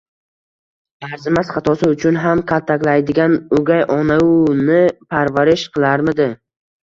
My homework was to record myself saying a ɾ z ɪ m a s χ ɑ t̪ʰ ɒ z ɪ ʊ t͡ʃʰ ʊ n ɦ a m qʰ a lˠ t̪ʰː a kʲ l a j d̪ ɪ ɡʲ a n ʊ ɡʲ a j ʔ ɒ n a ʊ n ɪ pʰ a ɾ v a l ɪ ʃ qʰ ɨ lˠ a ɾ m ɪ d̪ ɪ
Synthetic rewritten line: a ɾ z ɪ m a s χ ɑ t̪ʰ ɒ s ɪ ʊ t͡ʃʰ ʊ n ɦ a m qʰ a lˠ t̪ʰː a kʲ l a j d̪ ɪ ɡʲ a n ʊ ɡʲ a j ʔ ɒ n a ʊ n ɪ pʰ a ɾ v a ɾ ɪ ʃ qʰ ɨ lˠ a ɾ m ɪ d̪ ɪ